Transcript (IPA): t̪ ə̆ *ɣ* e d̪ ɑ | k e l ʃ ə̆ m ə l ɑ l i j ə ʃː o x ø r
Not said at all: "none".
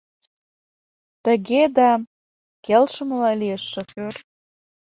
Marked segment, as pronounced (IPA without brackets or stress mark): ɣ